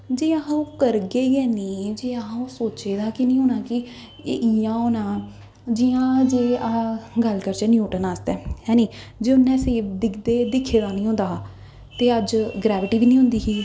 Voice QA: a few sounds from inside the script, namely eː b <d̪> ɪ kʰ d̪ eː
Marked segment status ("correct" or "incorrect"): correct